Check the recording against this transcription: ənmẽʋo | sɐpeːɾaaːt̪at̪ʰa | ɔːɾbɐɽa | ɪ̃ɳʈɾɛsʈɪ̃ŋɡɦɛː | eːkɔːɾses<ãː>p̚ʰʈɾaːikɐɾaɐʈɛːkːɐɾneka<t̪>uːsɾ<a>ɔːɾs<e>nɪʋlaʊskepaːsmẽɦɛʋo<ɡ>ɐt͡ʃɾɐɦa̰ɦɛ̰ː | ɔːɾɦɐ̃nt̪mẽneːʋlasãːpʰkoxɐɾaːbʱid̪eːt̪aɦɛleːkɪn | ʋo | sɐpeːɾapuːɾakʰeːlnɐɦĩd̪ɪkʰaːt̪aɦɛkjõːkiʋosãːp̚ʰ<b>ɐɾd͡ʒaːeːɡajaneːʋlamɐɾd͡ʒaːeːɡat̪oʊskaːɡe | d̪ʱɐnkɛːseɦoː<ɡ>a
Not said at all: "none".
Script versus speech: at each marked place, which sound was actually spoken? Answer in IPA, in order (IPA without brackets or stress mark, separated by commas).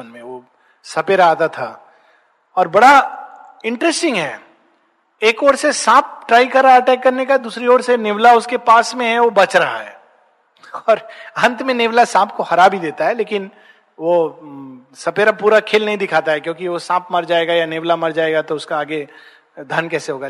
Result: ãː, d̪, i, e, b, m, ɡ